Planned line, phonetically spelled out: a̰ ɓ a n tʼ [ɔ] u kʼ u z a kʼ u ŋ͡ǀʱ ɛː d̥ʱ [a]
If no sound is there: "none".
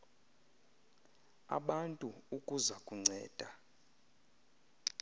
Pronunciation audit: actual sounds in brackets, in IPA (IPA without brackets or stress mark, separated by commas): u, a